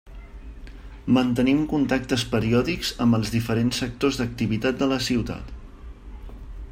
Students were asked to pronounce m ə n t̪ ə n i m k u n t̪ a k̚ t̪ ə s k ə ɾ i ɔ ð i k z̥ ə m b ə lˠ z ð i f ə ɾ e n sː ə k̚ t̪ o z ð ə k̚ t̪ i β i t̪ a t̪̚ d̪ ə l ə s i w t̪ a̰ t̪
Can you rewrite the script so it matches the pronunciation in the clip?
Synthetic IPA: m ə n t̪ ə n i m k u n t̪ a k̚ t̪ ə s p ə ɾ i ɔ ð i k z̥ ə m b ə lˠ z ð i f ə ɾ e n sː ə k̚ t̪ o z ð ə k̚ t̪ i β i t̪ a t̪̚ d̪ ə l ə s i w t̪ a̰ t̪